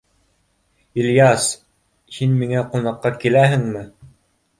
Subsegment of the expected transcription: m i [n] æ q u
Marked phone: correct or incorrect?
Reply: incorrect